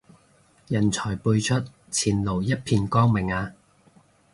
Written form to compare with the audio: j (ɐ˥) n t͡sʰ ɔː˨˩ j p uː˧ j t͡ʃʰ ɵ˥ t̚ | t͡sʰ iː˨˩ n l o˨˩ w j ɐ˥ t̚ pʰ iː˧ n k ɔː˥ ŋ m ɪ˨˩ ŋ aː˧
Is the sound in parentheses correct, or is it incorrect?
incorrect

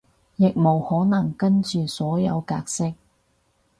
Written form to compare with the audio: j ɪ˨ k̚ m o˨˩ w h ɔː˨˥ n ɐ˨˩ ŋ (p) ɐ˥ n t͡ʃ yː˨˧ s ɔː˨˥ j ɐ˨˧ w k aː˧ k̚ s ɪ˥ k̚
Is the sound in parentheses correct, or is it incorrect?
incorrect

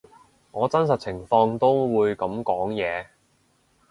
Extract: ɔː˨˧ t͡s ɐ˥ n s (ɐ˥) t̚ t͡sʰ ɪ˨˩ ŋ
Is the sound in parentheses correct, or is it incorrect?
incorrect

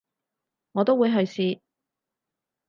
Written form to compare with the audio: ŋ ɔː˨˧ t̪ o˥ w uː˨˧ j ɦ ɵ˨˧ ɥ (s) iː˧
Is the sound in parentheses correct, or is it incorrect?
correct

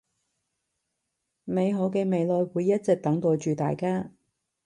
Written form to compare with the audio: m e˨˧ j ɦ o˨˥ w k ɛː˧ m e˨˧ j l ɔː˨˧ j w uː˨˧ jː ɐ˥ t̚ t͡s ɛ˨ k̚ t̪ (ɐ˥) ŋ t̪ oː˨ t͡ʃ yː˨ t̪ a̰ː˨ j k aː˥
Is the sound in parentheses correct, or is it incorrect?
incorrect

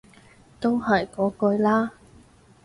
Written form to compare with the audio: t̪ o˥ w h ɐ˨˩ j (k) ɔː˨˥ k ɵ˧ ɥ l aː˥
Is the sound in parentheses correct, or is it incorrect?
correct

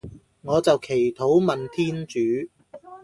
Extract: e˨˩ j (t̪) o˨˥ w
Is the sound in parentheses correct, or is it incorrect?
incorrect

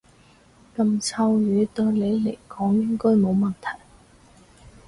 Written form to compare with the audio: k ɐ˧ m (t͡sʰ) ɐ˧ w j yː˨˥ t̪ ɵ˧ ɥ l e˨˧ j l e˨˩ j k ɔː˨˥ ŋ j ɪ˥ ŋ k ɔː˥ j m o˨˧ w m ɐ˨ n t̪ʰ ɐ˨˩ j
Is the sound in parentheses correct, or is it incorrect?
correct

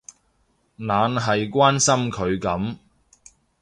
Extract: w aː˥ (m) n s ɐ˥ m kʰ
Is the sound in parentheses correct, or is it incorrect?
incorrect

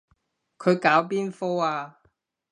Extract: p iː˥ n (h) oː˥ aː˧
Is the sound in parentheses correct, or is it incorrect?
incorrect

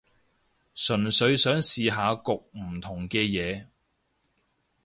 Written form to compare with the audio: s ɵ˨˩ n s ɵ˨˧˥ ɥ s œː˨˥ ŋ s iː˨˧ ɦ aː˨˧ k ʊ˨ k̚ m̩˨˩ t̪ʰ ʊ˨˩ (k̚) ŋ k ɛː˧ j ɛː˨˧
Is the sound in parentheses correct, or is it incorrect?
incorrect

